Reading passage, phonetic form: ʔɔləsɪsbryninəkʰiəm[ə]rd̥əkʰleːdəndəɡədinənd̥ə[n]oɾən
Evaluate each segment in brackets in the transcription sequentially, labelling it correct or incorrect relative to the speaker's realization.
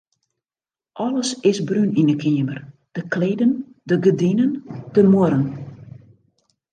correct, incorrect: m

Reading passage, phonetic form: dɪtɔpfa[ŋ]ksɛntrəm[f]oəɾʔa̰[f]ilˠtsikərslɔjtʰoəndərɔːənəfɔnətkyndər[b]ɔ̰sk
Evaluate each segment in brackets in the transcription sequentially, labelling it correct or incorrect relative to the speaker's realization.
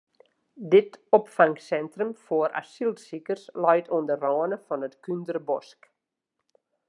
correct, correct, incorrect: s, correct

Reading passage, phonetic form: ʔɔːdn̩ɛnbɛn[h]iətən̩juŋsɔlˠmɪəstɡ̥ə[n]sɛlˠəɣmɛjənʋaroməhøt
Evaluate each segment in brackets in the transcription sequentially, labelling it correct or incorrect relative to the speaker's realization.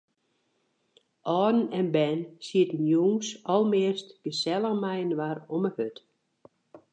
incorrect: s, incorrect: none

